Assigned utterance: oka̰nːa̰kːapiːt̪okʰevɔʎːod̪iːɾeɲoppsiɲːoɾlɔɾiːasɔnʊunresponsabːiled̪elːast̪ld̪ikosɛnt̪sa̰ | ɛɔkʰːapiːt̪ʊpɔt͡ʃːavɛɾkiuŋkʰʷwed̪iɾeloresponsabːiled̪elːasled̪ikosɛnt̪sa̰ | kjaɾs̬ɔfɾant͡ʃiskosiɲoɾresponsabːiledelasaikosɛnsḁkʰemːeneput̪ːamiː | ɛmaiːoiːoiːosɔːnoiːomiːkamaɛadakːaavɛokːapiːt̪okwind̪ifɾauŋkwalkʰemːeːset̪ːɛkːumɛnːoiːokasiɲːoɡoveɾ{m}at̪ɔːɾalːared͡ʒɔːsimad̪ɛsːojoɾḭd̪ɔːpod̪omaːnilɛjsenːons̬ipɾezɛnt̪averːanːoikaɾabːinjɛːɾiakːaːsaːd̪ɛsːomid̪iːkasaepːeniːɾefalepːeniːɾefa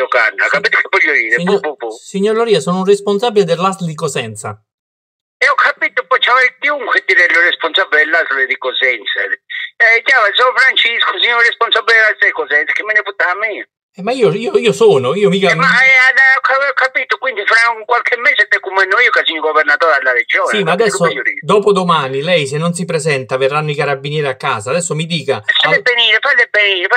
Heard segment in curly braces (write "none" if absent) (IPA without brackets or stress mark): n